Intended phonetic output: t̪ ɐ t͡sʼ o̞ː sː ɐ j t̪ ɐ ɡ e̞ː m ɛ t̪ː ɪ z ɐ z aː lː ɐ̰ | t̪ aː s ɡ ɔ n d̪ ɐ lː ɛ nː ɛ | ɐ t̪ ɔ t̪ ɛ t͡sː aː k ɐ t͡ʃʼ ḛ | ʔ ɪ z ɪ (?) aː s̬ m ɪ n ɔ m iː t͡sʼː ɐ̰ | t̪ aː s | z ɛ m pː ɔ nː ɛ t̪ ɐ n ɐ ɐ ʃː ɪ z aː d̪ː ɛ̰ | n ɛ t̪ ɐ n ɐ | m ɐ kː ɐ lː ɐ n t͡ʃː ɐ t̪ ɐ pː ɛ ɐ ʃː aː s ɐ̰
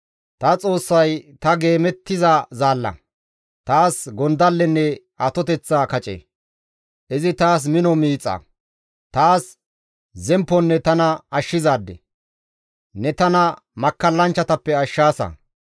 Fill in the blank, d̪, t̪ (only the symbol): t̪